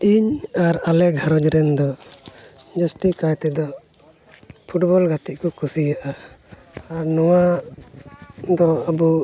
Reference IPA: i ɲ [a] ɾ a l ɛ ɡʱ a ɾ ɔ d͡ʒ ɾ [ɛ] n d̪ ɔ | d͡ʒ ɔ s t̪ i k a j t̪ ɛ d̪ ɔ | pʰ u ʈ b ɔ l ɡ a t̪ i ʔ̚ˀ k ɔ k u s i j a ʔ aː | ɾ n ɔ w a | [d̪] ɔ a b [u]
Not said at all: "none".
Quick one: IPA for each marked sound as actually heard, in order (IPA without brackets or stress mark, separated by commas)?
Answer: a, ɛ, d̪, u